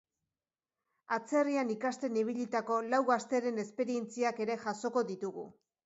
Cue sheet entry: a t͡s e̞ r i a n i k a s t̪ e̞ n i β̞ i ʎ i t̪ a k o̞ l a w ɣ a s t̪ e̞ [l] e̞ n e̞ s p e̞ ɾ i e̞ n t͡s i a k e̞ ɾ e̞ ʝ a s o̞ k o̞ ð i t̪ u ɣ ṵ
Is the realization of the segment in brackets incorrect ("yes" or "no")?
yes